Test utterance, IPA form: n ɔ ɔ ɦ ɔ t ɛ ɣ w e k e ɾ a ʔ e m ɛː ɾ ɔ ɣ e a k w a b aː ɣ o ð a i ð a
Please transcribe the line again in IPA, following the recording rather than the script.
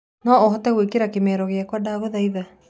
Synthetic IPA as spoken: n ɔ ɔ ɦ ɔ t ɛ ɣ w e k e ɾ a k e m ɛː ɾ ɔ ɣ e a k w a d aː ɣ o ð a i ð a